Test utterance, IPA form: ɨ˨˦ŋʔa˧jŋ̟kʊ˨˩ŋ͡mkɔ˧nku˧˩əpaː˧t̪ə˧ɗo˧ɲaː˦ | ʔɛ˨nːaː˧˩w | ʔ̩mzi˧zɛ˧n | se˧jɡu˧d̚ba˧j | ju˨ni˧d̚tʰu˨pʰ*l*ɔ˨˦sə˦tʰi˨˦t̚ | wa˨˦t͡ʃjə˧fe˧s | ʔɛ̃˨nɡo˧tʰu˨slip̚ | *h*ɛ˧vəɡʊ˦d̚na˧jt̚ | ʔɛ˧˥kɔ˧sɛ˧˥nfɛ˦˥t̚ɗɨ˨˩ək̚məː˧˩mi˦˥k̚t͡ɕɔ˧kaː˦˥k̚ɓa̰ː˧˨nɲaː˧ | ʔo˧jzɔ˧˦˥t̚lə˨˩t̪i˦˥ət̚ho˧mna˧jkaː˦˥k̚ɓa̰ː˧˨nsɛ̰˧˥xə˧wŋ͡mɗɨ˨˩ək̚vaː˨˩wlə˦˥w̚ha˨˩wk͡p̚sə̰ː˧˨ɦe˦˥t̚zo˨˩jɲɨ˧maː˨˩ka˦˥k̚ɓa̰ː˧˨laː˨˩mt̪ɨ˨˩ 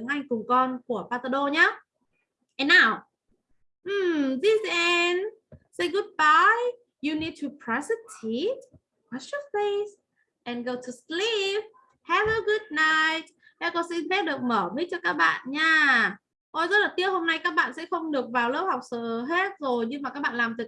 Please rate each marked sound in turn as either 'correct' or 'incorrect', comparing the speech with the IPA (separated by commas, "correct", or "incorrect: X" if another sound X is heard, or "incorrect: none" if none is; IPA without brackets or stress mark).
incorrect: ɹ, correct